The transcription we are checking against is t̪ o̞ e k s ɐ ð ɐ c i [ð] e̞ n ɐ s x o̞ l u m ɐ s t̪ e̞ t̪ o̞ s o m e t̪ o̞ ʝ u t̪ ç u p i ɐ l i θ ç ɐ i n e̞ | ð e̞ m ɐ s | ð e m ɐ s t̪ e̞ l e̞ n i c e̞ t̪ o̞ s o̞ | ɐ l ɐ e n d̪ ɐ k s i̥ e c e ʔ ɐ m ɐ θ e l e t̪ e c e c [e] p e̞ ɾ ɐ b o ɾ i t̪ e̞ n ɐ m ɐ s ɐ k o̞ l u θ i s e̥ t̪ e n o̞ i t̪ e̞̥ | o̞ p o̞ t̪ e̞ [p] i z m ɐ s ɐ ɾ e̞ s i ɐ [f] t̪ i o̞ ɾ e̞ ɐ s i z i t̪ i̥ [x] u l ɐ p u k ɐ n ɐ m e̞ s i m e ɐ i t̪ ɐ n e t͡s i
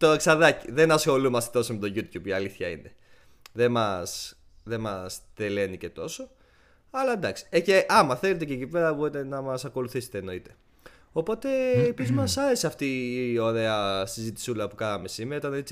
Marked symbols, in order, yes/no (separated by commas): yes, no, yes, yes, no